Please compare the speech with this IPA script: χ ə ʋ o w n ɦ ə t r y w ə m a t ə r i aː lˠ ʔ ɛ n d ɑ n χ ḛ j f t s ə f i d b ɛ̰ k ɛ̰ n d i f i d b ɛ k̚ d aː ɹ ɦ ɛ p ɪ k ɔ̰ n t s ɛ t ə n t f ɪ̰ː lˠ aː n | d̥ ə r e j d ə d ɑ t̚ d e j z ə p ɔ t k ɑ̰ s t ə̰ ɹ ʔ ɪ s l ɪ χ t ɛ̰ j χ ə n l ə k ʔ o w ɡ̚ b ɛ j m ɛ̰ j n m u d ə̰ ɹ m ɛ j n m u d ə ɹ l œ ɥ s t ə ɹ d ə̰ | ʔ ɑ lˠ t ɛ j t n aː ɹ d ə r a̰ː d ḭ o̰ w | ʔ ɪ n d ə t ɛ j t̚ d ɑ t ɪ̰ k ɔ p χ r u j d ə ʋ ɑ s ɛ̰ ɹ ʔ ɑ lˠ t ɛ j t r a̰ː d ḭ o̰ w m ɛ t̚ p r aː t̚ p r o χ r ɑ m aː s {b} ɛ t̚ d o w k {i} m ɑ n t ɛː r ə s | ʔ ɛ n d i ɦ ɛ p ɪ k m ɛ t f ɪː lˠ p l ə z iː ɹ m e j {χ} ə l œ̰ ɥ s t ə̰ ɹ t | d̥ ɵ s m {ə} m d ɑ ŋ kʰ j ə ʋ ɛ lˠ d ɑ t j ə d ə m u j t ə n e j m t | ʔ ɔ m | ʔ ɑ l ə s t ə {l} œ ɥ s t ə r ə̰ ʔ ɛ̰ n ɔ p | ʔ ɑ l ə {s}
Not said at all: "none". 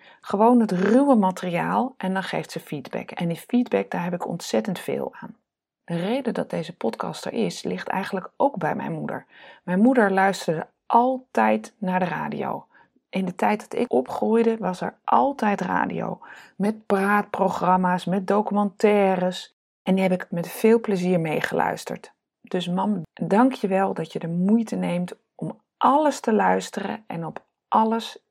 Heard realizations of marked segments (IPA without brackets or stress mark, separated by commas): m, y, χ, ɑ, l, s